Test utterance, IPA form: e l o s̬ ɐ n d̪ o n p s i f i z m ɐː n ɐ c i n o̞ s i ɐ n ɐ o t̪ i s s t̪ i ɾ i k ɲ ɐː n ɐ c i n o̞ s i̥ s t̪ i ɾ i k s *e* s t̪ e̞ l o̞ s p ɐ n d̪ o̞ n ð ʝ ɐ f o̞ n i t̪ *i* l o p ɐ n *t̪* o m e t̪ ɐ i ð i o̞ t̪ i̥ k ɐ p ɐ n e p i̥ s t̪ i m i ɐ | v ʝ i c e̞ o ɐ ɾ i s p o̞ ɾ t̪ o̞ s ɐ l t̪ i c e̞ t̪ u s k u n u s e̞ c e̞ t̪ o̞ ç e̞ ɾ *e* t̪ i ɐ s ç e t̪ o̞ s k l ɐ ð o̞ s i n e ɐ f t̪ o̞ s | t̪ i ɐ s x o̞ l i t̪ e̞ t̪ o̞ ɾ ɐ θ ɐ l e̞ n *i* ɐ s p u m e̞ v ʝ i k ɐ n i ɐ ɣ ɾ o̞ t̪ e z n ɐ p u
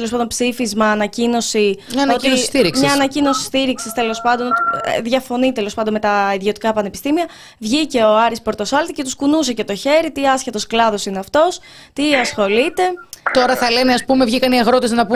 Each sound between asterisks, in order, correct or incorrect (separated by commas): incorrect, incorrect, incorrect, incorrect, incorrect